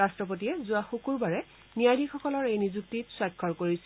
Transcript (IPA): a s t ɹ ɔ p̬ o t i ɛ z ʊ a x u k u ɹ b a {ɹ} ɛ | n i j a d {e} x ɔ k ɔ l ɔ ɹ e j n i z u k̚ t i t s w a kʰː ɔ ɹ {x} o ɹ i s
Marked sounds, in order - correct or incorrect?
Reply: correct, incorrect: i, incorrect: k

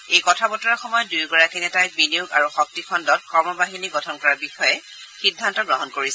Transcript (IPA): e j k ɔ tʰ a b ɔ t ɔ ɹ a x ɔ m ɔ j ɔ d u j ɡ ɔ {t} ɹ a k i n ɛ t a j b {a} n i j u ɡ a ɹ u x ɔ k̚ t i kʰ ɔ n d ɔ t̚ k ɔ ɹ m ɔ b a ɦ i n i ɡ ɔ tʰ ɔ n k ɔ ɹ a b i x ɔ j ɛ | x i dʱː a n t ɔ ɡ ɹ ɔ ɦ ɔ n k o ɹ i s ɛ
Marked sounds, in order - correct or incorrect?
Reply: incorrect: none, incorrect: i

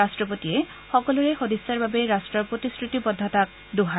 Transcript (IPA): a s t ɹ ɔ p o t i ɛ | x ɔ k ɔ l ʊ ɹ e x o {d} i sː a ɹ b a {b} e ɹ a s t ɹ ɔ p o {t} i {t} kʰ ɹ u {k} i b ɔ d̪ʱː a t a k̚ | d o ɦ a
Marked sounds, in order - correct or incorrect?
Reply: correct, correct, correct, incorrect: s, incorrect: t

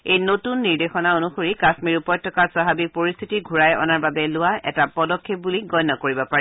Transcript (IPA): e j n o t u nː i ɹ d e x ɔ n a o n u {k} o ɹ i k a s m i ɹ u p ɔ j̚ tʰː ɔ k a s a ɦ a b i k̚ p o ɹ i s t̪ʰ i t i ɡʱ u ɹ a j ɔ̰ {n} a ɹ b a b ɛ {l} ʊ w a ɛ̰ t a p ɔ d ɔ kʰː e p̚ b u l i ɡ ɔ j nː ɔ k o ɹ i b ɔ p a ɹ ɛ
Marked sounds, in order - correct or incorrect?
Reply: incorrect: x, correct, correct

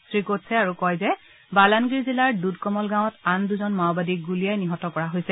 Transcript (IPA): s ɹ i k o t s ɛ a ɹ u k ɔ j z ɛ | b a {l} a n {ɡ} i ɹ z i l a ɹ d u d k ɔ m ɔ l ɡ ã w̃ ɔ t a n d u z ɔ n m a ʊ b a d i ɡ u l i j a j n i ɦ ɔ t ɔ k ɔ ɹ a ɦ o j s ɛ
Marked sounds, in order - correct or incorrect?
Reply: correct, correct

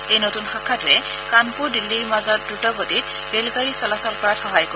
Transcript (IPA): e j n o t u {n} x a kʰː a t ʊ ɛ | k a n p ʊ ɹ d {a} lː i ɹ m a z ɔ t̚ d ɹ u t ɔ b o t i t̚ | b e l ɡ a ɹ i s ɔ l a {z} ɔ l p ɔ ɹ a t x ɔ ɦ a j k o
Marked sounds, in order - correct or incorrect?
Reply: correct, incorrect: i, incorrect: s

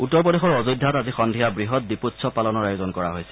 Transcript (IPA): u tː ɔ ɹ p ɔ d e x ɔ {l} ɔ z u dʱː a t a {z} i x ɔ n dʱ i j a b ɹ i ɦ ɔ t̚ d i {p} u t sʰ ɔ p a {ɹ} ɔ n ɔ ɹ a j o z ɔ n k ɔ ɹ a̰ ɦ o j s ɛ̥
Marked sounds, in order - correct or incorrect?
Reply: incorrect: ɹ, correct, correct, incorrect: l

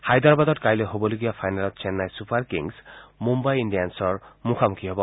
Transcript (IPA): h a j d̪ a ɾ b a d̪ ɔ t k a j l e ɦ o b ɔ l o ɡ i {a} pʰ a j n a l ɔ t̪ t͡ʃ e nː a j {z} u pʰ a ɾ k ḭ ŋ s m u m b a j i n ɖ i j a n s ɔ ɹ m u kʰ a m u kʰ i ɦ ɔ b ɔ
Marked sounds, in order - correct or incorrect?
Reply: correct, incorrect: s

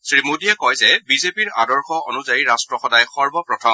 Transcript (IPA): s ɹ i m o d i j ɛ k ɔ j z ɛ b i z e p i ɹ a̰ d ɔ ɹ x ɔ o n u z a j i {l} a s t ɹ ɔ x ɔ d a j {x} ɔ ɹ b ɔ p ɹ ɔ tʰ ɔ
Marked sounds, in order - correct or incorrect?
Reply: incorrect: ɹ, correct

